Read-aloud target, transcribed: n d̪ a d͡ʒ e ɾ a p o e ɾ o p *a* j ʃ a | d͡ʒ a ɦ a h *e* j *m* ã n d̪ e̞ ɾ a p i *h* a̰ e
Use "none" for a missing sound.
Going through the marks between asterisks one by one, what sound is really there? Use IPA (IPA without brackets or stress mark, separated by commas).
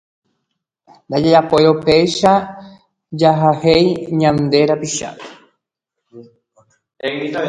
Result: e, e, ɲ, ʃ